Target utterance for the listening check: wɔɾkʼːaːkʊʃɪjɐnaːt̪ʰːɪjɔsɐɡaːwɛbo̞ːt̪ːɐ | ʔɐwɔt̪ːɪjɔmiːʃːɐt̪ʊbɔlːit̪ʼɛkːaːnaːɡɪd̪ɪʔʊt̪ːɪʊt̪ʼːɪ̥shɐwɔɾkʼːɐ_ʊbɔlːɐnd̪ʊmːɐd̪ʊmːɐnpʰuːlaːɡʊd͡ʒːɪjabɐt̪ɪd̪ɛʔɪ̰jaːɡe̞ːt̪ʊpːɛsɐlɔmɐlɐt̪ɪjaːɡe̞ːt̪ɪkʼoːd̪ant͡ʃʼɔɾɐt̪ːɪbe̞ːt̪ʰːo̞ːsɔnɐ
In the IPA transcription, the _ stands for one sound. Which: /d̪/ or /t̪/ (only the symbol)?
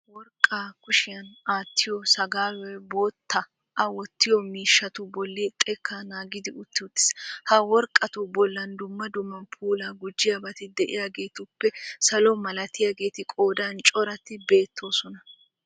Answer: t̪